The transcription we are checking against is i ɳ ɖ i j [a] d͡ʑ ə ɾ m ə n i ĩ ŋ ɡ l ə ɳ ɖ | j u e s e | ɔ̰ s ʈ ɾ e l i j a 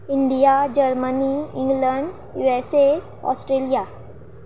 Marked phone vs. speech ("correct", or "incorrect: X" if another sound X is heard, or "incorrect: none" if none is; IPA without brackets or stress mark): correct